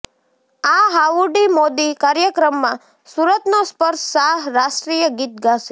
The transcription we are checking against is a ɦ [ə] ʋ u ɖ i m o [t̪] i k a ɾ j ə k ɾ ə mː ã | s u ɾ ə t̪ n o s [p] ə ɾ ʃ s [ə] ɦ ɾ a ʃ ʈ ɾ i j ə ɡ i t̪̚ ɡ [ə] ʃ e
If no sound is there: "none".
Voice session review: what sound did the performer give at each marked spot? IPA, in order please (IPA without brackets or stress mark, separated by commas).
a, d̪, p, a, a